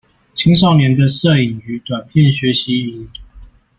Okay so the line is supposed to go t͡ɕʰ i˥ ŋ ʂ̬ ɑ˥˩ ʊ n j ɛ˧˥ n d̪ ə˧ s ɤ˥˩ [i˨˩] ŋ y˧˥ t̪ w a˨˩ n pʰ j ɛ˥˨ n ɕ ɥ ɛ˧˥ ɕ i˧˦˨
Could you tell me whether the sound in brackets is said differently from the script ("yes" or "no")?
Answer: no